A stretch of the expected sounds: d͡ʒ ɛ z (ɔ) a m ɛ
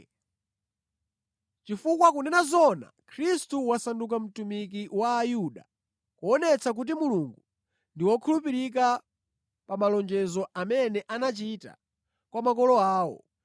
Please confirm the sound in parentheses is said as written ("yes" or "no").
yes